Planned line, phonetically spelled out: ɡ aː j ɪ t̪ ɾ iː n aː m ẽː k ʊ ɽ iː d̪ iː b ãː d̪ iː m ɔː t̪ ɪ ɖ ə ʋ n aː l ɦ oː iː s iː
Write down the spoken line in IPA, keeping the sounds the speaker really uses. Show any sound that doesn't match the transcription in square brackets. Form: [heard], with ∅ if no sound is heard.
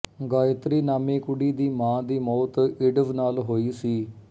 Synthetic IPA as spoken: ɡ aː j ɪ t̪ ɾ iː n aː m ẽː k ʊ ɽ iː d̪ iː [m] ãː d̪ iː m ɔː t̪ ɪ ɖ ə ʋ n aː l ɦ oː iː s iː

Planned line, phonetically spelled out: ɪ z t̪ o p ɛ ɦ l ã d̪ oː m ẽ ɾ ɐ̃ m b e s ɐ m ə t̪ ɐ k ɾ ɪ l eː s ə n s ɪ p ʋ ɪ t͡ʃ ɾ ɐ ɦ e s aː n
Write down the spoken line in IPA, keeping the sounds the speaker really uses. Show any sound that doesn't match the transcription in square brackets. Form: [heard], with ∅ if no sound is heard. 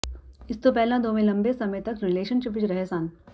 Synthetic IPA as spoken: ɪ [s] t̪ o p ɛ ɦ l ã d̪ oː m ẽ [l] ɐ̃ m b e s ɐ m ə t̪ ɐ k ɾ ɪ l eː [ʃ] ə n [ʃ] ɪ p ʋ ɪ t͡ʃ ɾ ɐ ɦ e s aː n

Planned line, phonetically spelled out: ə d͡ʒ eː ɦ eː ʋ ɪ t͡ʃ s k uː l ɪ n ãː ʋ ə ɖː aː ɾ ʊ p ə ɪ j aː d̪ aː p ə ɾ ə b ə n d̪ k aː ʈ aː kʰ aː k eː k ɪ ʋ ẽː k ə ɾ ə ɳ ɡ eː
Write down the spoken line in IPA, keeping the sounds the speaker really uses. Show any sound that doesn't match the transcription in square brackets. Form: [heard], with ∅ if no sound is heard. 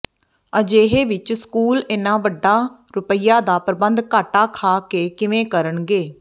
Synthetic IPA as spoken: ə d͡ʒ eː ɦ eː ʋ ɪ t͡ʃ s k uː l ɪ n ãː ʋ ə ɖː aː ɾ ʊ p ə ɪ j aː d̪ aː p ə ɾ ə b ə n d̪ k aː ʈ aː kʰ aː k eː k ɪ ʋ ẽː k ə ɾ ə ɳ ɡ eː

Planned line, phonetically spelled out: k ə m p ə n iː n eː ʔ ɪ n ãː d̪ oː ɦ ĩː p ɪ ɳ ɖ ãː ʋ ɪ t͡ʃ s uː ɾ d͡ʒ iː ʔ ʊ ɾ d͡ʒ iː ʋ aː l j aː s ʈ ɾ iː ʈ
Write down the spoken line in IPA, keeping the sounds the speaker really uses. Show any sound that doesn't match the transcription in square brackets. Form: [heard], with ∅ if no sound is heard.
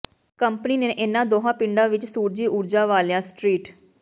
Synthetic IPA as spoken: k ə m p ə n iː n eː ʔ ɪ n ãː d̪ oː ɦ [ãː] p ɪ ɳ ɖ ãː ʋ ɪ t͡ʃ s uː ɾ d͡ʒ iː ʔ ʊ ɾ d͡ʒ [aː] ʋ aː l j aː s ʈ ɾ iː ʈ

